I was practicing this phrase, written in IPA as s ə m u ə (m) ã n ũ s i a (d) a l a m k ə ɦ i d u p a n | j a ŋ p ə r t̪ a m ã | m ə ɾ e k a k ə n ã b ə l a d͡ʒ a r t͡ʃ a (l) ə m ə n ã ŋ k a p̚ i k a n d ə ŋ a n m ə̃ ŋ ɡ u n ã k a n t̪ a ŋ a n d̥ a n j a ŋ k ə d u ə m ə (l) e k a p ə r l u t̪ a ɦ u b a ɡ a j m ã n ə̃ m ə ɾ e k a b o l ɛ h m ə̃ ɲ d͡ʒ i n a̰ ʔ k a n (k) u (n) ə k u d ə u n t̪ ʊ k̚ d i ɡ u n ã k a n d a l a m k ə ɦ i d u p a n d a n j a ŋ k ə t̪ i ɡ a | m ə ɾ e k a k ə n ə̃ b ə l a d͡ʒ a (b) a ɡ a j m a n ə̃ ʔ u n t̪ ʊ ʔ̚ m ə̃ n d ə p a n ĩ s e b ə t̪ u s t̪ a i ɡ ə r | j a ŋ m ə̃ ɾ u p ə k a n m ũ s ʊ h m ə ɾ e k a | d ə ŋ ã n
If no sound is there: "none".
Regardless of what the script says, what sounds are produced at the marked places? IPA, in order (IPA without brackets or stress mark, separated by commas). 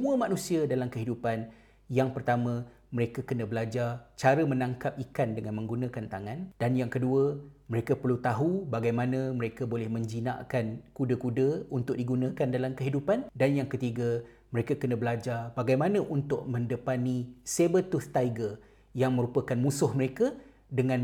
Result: m, d, ɾ, ɾ, k, d, b